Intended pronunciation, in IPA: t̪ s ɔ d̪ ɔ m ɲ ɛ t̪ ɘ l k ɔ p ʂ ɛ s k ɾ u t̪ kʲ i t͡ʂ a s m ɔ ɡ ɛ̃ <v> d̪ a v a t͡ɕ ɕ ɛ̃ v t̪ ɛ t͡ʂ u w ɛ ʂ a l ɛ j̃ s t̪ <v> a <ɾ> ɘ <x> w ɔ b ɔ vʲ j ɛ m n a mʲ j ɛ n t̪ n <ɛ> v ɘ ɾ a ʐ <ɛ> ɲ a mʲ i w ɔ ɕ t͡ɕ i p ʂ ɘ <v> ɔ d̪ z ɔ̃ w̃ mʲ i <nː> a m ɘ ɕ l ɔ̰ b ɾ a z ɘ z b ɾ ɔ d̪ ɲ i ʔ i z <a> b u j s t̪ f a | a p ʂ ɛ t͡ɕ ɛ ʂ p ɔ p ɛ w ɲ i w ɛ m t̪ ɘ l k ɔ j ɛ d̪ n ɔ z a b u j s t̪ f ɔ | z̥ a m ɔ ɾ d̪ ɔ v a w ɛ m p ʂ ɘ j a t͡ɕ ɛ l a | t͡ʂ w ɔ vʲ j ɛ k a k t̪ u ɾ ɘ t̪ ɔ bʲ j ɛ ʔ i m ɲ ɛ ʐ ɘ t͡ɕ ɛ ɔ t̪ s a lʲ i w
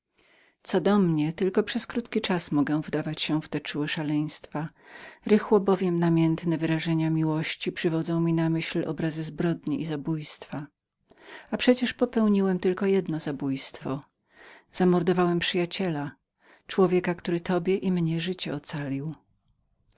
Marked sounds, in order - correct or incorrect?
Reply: correct, incorrect: f, correct, correct, correct, correct, correct, incorrect: n, correct

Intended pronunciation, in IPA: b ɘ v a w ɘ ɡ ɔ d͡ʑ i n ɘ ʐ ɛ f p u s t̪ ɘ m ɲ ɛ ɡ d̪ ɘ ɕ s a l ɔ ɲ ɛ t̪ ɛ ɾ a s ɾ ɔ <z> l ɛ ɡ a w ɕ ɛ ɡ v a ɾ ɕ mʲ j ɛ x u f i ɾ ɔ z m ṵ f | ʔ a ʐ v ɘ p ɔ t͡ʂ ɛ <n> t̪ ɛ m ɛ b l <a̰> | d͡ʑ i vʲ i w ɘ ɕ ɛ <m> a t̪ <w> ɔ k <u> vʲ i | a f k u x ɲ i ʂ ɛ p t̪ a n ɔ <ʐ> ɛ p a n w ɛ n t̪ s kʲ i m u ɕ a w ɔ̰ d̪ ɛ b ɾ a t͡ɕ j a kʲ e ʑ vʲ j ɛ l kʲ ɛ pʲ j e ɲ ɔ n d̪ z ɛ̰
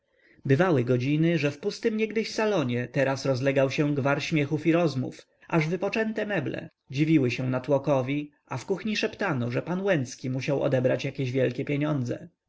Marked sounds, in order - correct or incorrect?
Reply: correct, correct, incorrect: ɛ̰, incorrect: n, correct, incorrect: ɔ, correct

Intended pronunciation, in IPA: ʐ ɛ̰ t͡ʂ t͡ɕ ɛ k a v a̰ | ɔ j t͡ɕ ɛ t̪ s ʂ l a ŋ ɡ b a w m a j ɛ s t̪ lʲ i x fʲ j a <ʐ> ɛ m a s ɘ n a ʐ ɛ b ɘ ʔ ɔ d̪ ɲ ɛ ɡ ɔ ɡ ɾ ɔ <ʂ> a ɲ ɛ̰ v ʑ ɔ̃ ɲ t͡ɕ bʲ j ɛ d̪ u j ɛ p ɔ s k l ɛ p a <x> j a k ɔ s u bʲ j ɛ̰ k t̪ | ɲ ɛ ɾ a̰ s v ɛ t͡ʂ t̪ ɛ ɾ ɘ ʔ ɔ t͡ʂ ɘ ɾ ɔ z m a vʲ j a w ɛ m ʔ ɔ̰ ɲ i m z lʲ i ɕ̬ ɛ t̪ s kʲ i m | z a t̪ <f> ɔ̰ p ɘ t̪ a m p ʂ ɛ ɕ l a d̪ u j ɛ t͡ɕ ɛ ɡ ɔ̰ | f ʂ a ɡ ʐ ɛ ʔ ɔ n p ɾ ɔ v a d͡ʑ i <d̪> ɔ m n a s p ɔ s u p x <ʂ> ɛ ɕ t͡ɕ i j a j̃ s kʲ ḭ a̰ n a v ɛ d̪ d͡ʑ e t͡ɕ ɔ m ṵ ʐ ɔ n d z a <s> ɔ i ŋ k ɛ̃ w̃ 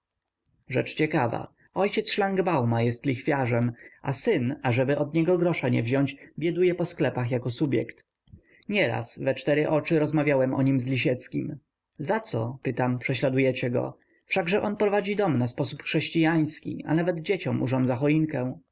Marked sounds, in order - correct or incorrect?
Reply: correct, correct, correct, incorrect: s, correct, correct, incorrect: x

